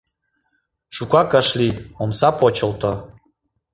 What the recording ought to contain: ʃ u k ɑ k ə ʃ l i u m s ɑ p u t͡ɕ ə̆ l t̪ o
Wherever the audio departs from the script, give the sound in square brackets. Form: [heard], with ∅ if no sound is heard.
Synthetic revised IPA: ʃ u k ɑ k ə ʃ l i [o] m s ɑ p [o] t͡ɕ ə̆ l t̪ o